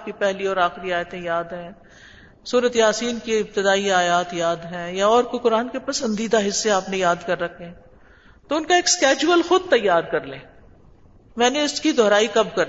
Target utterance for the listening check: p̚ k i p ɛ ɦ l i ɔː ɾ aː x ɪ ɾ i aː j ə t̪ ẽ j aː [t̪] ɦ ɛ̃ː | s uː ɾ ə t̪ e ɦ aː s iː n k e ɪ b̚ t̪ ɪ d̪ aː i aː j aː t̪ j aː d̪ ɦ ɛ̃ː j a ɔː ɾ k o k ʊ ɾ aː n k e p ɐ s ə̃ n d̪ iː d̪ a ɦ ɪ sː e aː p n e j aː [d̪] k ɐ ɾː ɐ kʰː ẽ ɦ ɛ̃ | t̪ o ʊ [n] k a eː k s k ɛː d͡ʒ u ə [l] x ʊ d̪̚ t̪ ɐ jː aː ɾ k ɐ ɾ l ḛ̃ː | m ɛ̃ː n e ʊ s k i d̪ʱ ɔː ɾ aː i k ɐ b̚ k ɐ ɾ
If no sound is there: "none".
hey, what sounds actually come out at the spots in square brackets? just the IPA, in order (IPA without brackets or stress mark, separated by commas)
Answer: d̪, d̪, n, l